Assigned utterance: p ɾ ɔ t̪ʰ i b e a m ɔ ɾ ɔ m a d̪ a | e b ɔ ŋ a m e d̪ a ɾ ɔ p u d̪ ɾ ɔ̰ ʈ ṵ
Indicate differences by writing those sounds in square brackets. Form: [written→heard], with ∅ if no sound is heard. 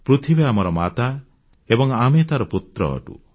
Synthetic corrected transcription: p ɾ [ɔ→u] t̪ʰ i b e a m ɔ ɾ ɔ m a [d̪→t̪] a | e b ɔ ŋ a m e [d̪→t̪] a ɾ ɔ p u [d̪→t̪] ɾ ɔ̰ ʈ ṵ